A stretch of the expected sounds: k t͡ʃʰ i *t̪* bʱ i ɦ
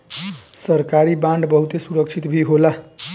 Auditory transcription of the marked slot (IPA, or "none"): t̪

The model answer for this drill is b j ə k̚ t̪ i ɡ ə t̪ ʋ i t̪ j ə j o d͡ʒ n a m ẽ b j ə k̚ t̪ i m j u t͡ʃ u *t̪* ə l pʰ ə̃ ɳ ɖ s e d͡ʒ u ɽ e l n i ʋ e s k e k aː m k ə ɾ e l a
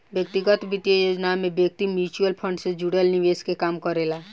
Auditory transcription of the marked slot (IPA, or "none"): none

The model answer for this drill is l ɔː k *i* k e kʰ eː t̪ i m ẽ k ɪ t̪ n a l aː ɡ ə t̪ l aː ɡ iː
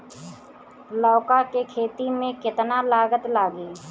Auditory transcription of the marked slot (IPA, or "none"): a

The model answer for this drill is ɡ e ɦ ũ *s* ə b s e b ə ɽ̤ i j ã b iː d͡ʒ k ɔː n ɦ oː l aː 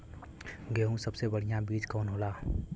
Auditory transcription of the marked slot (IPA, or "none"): s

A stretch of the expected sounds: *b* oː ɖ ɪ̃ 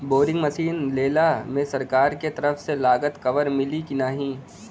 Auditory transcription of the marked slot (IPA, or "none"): b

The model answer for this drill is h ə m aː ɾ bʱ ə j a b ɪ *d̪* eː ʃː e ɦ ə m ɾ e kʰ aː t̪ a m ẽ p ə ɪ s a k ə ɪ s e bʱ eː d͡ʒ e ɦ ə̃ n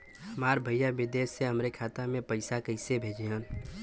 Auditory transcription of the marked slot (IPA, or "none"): d̪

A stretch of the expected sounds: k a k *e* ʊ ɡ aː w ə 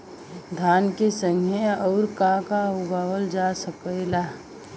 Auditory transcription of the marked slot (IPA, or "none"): a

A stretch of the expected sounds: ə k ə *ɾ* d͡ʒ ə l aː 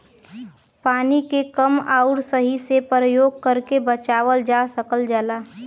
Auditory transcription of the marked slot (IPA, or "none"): l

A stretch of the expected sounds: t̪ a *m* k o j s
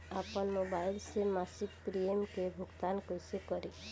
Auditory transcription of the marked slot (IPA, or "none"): n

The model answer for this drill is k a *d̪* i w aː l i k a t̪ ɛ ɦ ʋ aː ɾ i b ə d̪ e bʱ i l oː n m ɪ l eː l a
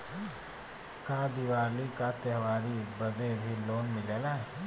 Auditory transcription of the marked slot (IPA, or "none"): d̪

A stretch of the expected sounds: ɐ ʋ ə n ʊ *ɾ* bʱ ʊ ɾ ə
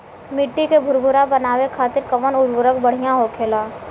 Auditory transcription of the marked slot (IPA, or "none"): ɾ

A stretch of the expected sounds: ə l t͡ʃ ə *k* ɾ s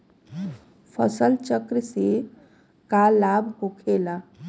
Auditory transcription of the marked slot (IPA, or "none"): k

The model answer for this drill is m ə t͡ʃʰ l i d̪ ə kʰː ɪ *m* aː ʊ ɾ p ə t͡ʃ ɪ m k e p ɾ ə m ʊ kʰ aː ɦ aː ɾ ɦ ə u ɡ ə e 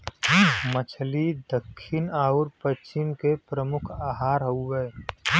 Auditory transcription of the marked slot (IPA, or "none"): n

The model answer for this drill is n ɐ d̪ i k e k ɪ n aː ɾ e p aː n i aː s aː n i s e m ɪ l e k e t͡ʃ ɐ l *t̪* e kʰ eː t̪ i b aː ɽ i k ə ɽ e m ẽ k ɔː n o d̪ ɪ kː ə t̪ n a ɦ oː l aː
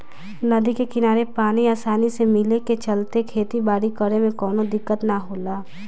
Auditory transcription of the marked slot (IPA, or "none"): t̪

